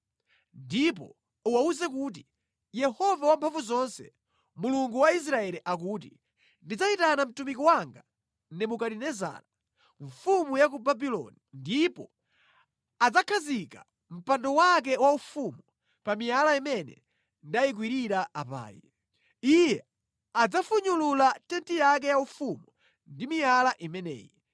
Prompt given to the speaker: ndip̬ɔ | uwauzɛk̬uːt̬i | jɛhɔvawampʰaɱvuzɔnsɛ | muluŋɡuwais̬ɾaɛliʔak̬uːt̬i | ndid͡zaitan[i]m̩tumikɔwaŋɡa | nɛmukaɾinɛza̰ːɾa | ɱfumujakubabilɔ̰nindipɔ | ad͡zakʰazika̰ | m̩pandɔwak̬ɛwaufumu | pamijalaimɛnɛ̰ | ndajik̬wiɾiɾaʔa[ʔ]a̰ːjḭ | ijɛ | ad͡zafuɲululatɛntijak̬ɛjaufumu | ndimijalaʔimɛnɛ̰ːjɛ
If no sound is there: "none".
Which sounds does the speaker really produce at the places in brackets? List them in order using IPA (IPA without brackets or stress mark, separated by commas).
a, p